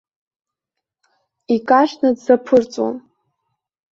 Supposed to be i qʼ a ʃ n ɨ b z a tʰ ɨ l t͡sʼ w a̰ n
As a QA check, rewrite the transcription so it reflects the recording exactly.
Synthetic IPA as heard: i kʼ a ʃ n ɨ d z a pʰ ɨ r t͡sʼ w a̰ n